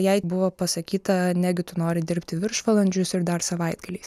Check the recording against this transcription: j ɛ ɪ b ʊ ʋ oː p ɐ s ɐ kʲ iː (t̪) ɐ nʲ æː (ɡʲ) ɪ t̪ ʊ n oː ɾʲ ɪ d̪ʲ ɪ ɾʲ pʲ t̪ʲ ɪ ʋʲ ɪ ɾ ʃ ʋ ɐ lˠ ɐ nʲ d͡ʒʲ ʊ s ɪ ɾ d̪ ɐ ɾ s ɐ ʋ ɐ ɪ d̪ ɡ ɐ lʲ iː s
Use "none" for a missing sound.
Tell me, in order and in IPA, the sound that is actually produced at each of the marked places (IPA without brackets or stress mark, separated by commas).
t̪, ɡʲ